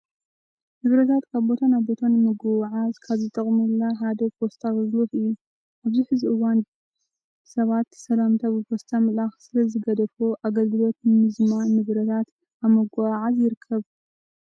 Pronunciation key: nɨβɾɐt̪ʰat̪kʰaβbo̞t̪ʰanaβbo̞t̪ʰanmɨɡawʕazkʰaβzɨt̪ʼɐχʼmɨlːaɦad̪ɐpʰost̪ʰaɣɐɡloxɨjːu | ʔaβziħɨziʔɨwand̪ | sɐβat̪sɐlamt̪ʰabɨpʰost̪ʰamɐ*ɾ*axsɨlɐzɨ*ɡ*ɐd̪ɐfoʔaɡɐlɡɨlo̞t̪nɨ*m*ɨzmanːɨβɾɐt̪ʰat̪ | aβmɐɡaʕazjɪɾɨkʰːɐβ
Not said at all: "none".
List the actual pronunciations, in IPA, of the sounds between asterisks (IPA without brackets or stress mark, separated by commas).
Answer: l, ɡ, m